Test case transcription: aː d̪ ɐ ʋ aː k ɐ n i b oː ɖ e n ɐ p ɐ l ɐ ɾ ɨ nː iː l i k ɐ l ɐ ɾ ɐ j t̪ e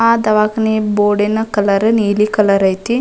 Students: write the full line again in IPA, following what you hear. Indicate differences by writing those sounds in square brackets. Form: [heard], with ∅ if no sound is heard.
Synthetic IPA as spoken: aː d̪ ɐ ʋ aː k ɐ n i b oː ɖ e n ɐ [k] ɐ l ɐ ɾ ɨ [n] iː l i k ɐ l ɐ ɾ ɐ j t̪ [i]

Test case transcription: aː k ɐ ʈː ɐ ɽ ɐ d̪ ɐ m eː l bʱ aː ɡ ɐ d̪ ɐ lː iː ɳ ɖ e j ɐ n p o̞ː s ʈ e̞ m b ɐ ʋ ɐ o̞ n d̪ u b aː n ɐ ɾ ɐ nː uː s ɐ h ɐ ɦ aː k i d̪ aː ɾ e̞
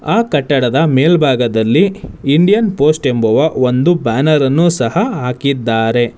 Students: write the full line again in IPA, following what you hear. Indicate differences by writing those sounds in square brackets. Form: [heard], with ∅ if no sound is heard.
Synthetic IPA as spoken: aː k ɐ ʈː ɐ ɽ ɐ d̪ ɐ m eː l bʱ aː ɡ ɐ d̪ ɐ lː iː ɳ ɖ [i] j ɐ n p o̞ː s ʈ e̞ m b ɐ ʋ ɐ o̞ n d̪ u b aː n ɐ ɾ ɐ nː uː s ɐ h ɐ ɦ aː k i [d̪ː] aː ɾ e̞

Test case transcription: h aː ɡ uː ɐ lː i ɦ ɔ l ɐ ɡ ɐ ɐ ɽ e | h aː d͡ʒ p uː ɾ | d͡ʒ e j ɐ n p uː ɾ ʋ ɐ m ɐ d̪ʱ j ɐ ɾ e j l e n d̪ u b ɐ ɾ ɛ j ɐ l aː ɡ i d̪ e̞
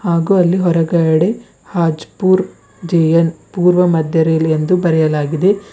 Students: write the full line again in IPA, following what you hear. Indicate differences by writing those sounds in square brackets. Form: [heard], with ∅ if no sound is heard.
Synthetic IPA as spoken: h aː ɡ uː ɐ lː i ɦ ɔ [ɾ] ɐ ɡ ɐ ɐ ɽ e | h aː d͡ʒ p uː ɾ | d͡ʒ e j ɐ n p uː ɾ ʋ ɐ m ɐ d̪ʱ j ɐ ɾ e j l e n d̪ u b ɐ ɾ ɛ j ɐ l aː ɡ i d̪ e̞

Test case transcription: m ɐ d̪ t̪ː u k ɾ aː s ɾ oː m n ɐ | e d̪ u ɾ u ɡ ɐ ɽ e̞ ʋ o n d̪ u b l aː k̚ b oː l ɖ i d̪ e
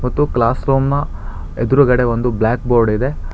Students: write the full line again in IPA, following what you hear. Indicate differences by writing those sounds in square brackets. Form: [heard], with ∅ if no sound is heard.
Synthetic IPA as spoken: m ɐ [∅] t̪ː u k [l] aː s ɾ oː m n ɐ | e d̪ u ɾ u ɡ ɐ ɽ e̞ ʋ o n d̪ u b l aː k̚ b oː [ɾ] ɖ i d̪ e

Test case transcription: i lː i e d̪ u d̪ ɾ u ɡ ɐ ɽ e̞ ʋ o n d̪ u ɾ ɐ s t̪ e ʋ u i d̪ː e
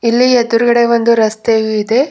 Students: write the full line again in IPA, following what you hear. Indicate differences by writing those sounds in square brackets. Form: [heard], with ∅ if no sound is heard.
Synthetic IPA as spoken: i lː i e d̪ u [∅] ɾ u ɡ ɐ ɽ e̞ ʋ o n d̪ u ɾ ɐ s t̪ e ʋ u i [d̪] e

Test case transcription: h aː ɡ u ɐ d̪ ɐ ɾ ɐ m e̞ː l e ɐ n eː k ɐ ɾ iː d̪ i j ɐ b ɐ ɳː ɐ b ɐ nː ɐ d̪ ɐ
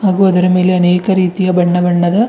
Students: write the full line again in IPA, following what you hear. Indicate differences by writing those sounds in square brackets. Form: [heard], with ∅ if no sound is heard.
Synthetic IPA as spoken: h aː ɡ u ɐ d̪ ɐ ɾ ɐ m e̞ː l e ɐ n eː k ɐ ɾ iː [t̪] i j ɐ b ɐ ɳː ɐ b ɐ [ɳː] ɐ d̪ ɐ

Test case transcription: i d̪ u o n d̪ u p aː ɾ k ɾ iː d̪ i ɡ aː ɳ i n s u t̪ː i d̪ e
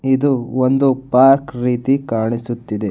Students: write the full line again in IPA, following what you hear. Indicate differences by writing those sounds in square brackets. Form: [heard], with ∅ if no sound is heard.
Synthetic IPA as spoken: i d̪ u o n d̪ u p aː ɾ k ɾ iː [t̪] i [k] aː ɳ i [∅] s u t̪ː i d̪ e

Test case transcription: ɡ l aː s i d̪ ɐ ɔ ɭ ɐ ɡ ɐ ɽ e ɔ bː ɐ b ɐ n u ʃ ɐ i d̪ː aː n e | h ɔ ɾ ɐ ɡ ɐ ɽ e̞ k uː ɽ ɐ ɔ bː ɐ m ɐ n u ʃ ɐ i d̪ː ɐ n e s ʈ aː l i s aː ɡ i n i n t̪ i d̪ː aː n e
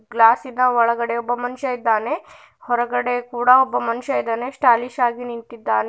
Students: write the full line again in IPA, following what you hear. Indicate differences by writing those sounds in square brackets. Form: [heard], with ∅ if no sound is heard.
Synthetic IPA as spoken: ɡ l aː s i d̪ ɐ ɔ ɭ ɐ ɡ ɐ ɽ e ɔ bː ɐ [m] ɐ n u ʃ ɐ i d̪ː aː n e | h ɔ ɾ ɐ ɡ ɐ ɽ e̞ k uː ɽ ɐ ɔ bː ɐ m ɐ n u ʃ ɐ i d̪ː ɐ n e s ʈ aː l i [ʃ] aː ɡ i n i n t̪ i d̪ː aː n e

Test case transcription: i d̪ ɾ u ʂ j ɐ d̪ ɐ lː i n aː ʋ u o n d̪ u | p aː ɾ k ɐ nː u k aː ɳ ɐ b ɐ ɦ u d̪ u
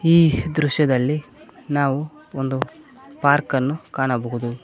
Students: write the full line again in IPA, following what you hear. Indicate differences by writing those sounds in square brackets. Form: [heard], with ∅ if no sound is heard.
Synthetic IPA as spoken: [iː] d̪ ɾ u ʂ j ɐ d̪ ɐ lː i n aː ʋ u o n d̪ u | p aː ɾ k ɐ nː u k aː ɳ ɐ b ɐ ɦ u d̪ u

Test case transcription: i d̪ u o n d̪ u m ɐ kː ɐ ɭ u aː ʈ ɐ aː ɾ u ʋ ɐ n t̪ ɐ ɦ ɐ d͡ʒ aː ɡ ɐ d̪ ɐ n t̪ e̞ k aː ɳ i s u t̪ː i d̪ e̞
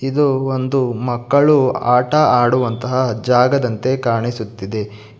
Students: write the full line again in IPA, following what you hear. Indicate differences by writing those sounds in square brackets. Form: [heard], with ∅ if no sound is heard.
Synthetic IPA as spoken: i d̪ u o n d̪ u m ɐ kː ɐ ɭ u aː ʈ ɐ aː [ɽ] u ʋ ɐ n t̪ ɐ ɦ ɐ d͡ʒ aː ɡ ɐ d̪ ɐ n t̪ e̞ k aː ɳ i s u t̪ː i d̪ e̞

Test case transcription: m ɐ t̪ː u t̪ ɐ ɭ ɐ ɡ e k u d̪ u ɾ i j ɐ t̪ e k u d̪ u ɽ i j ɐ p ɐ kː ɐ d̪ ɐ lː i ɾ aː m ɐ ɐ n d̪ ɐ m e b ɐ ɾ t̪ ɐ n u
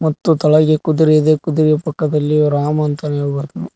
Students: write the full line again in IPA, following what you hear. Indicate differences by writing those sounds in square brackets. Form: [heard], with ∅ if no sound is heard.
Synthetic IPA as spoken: m ɐ t̪ː u t̪ ɐ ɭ ɐ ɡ e k u d̪ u ɾ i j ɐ [d̪] e k u d̪ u [ɾ] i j ɐ p ɐ kː ɐ d̪ ɐ lː i ɾ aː m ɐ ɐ n [t̪] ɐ [n] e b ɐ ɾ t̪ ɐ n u

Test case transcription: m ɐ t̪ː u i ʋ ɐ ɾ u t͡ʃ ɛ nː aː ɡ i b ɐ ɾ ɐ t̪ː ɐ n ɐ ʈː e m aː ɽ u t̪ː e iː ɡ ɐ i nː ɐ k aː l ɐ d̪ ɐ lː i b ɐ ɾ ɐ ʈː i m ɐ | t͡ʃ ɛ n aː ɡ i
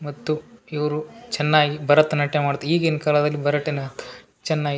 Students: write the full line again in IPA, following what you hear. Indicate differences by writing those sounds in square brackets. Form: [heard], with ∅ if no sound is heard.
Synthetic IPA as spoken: m ɐ t̪ː u i ʋ ɐ ɾ u t͡ʃ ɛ nː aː ɡ i b ɐ ɾ ɐ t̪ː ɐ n ɐ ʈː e m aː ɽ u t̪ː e iː ɡ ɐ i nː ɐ k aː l ɐ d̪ ɐ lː i b ɐ ɾ ɐ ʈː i [n] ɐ | t͡ʃ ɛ [nː] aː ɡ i

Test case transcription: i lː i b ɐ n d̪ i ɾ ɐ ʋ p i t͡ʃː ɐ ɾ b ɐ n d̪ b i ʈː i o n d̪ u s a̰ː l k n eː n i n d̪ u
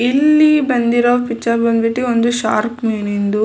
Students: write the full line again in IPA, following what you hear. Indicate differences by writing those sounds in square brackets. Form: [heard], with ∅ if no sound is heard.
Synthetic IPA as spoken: i lː i b ɐ n d̪ i ɾ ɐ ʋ p i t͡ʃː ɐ ɾ b ɐ n d̪ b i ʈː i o n d̪ u [ʃ] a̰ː [ɾ] k [m] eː n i n d̪ u

